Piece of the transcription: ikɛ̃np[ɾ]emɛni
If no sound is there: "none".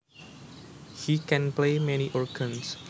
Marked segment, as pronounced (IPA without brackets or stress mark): l